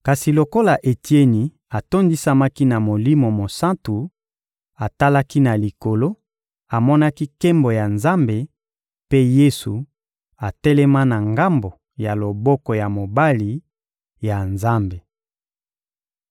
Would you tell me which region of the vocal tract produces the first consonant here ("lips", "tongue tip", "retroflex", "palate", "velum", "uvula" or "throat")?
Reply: velum